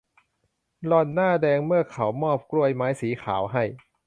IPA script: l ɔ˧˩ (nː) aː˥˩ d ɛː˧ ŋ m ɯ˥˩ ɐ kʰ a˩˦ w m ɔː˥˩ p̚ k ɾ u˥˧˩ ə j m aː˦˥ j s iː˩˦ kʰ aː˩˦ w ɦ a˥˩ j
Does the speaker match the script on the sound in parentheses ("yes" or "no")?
yes